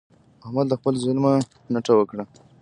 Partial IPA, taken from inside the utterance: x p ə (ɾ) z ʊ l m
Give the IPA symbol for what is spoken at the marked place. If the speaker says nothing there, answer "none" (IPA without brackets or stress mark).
l